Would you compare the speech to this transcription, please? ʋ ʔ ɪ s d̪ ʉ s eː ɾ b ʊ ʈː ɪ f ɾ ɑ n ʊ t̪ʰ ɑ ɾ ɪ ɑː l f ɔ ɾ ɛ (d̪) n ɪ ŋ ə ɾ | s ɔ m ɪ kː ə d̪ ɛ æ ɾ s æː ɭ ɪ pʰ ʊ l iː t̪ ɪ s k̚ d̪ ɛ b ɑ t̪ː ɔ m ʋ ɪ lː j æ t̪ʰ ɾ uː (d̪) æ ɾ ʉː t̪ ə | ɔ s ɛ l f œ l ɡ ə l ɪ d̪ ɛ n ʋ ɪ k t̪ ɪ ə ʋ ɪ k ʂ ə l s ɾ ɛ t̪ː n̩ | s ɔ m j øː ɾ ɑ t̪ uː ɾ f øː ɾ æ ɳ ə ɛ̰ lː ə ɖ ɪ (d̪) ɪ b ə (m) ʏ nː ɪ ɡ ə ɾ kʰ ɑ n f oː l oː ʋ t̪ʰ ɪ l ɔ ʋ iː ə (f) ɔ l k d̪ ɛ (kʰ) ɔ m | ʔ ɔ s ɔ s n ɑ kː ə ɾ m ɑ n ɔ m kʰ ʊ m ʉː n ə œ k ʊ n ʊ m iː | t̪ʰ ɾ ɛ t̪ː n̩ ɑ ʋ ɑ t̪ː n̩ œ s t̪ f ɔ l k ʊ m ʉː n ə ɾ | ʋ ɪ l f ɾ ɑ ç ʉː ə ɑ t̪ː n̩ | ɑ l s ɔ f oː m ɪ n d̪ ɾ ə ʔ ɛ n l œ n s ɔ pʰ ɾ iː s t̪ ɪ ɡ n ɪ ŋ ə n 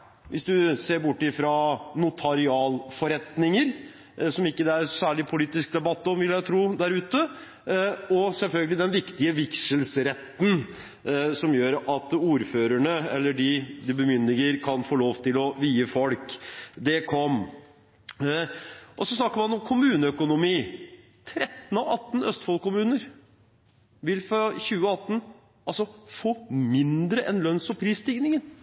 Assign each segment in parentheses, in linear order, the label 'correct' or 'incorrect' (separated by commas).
incorrect, correct, correct, correct, correct, correct